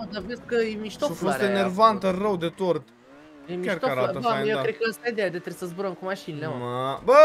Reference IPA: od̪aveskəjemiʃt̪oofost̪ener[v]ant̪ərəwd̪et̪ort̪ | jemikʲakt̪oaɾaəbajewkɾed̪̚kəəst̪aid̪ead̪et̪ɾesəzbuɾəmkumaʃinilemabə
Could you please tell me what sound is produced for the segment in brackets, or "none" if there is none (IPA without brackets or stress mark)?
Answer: v